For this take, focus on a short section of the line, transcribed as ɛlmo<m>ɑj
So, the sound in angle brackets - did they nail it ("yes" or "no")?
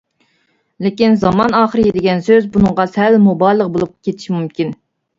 no